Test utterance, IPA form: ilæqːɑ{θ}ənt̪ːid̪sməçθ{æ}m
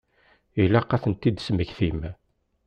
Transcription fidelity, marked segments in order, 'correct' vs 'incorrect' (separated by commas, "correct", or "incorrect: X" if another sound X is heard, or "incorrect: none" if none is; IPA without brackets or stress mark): correct, incorrect: i